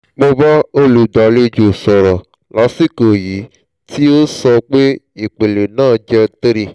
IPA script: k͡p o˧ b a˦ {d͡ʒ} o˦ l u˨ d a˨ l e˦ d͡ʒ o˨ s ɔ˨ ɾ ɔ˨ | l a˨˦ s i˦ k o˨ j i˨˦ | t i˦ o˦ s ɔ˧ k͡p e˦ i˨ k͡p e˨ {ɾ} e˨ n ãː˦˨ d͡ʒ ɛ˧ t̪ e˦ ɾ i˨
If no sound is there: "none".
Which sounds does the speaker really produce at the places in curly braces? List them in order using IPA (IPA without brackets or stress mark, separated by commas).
none, l